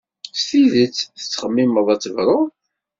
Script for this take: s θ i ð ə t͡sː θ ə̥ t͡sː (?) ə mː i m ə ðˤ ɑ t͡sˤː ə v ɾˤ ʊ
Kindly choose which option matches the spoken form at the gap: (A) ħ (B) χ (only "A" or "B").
B